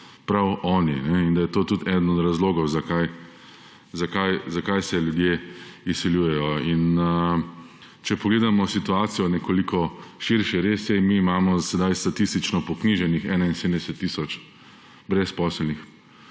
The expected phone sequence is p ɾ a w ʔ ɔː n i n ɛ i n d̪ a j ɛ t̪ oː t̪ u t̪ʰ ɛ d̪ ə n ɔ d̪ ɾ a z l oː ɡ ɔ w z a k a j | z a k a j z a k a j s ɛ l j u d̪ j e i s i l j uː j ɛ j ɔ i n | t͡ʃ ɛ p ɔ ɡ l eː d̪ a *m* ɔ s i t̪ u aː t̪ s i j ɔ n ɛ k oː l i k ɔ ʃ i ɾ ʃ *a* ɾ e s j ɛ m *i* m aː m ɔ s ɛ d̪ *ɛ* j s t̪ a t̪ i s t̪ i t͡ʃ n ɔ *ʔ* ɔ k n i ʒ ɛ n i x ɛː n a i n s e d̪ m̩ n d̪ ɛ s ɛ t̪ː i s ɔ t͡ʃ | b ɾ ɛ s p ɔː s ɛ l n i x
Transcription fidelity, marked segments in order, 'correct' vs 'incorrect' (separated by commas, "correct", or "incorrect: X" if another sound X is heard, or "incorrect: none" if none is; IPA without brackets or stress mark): correct, incorrect: ɛ, incorrect: iː, incorrect: a, incorrect: p